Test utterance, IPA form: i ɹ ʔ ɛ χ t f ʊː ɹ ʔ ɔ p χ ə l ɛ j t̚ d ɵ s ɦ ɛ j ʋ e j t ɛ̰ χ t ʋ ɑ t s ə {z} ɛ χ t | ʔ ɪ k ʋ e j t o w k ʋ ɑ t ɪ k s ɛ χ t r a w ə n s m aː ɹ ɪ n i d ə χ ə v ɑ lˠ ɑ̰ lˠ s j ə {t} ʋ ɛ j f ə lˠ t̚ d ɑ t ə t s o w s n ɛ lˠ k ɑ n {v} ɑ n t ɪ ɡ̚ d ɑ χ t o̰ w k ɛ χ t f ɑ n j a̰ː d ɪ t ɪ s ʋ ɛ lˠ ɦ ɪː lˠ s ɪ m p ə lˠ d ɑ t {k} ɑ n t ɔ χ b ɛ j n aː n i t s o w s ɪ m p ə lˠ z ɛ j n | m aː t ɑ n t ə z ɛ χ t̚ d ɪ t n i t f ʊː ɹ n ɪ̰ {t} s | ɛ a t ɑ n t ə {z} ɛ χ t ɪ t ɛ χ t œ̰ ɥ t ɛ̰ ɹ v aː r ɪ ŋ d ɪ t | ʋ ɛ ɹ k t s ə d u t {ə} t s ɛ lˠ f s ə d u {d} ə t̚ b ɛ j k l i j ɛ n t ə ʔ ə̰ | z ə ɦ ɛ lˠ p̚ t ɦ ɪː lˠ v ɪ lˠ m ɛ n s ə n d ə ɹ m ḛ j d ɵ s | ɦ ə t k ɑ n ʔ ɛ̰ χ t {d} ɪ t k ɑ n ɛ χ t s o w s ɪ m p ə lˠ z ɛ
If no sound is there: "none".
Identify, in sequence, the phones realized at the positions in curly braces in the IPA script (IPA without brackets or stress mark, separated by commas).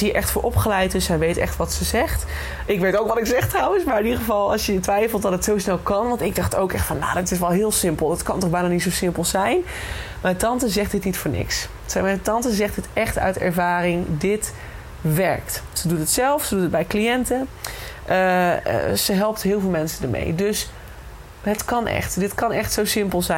z, t, ʋ, k, k, z, ə, t, d